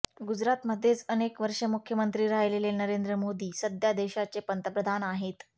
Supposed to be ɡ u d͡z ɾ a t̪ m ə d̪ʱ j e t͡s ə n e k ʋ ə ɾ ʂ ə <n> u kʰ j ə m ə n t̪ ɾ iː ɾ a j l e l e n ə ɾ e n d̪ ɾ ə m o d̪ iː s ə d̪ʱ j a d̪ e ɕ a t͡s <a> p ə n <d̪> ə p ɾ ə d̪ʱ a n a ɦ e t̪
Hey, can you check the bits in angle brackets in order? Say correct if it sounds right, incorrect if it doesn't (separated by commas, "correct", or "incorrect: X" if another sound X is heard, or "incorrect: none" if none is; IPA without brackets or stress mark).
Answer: incorrect: m, incorrect: e, incorrect: t̪